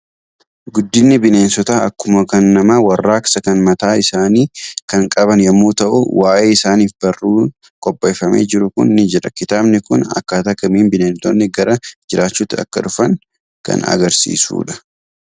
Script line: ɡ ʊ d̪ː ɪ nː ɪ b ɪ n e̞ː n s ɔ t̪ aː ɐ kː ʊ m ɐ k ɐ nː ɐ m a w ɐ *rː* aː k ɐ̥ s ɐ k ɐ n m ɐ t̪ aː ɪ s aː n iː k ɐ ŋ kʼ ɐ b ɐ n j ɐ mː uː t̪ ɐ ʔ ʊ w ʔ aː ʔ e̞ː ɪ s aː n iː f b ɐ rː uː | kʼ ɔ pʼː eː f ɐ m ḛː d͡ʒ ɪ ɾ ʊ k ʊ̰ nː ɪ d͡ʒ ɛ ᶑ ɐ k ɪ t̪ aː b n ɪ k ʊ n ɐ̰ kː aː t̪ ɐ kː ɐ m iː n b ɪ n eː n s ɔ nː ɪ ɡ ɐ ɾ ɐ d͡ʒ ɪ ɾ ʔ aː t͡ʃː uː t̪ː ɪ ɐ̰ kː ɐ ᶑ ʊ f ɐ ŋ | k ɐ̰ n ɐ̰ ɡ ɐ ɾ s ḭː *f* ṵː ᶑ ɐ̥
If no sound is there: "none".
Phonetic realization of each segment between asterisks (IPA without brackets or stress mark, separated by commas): rː, s